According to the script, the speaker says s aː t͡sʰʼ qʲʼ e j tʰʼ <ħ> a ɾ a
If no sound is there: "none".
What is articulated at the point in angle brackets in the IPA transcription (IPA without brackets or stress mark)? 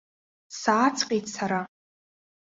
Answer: s